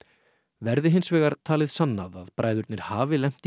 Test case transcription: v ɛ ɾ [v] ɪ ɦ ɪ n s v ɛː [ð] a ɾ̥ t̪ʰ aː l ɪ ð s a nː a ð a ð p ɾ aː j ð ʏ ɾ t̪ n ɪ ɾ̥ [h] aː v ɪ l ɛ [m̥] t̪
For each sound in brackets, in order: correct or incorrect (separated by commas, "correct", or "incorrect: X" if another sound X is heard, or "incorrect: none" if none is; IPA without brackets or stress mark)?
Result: incorrect: ð, incorrect: ɣ, correct, correct